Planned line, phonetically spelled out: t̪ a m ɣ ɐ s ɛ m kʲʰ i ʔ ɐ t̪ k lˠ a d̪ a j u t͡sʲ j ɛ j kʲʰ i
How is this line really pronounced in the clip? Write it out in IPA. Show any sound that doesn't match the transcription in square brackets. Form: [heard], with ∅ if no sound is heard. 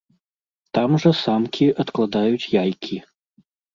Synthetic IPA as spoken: t̪ a m [ʐ] ɐ s [a] m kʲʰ i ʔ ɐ t̪ k lˠ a d̪ a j u t͡sʲ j [a] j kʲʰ i